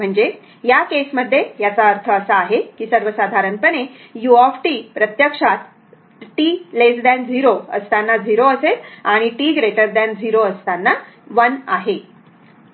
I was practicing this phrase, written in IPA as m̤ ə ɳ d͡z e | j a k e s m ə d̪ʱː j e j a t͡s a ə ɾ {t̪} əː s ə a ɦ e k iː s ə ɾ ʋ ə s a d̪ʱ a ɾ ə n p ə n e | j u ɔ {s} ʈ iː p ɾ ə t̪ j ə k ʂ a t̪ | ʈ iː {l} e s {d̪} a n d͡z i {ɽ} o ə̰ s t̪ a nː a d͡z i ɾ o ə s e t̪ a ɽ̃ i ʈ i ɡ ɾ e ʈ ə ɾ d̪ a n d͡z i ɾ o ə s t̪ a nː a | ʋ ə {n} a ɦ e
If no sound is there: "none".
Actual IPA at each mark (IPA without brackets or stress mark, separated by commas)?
t̪ʰ, f, l, d̪, ɾ, n